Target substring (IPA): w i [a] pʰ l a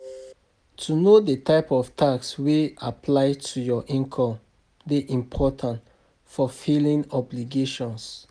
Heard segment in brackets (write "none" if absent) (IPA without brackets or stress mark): a